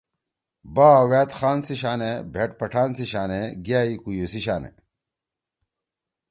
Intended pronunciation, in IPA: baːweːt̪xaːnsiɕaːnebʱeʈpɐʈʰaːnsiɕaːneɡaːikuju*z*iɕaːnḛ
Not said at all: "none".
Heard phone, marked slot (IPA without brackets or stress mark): s